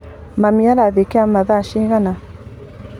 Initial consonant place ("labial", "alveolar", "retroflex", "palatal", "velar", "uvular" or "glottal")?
labial